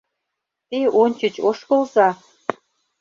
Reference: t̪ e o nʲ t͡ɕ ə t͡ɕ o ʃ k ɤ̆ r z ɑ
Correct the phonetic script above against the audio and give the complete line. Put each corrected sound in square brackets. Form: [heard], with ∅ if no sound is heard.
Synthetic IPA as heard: t̪ e o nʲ t͡ɕ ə t͡ɕ o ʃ k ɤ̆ [l] z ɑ